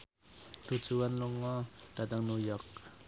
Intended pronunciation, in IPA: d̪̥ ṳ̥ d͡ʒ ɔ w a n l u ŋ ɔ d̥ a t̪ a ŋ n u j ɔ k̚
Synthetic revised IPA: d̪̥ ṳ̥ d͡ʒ u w a n l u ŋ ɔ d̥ a t̪ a ŋ n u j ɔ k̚